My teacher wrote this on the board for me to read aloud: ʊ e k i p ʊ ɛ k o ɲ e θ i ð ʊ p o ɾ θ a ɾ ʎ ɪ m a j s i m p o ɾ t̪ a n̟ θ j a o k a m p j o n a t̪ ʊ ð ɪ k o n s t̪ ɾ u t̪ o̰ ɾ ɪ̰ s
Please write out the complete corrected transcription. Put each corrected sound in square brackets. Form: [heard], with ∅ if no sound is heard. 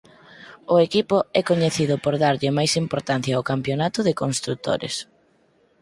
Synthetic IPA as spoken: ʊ e k i p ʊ ɛ k o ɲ e θ i ð ʊ p o ɾ [ð] a ɾ ʎ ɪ m a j s i m p o ɾ t̪ a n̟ θ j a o k a m p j o n a t̪ ʊ ð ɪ k o n s t̪ ɾ u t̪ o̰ ɾ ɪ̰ s